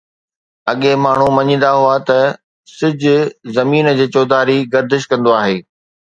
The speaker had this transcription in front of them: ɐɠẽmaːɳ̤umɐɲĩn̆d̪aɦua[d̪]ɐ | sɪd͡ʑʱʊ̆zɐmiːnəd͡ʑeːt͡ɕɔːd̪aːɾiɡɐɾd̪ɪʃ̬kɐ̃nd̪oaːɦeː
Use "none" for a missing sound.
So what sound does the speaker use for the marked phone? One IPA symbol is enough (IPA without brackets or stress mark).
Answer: t̪